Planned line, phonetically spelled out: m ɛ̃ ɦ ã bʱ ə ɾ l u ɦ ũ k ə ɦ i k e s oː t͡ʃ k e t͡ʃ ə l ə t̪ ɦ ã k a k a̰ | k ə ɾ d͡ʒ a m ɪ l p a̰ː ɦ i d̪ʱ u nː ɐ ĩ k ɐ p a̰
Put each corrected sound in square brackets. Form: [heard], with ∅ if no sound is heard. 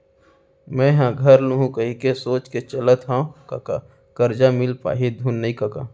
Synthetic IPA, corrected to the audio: m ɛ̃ ɦ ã [ɡʱ] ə ɾ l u ɦ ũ k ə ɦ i k e s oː t͡ʃ k e t͡ʃ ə l ə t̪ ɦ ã k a k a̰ | k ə ɾ d͡ʒ a m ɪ l p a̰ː ɦ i d̪ʱ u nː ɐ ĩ k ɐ [k] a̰